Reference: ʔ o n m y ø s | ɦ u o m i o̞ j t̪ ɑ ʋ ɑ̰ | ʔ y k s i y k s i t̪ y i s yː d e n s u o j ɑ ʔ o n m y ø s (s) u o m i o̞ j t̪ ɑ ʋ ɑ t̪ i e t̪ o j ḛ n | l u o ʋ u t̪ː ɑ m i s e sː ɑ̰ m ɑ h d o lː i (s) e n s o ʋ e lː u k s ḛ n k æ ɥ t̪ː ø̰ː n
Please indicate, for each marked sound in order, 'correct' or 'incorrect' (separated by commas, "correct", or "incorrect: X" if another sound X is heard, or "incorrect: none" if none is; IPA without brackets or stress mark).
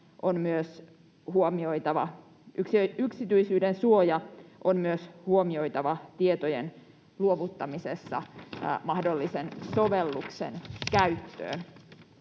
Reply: incorrect: h, correct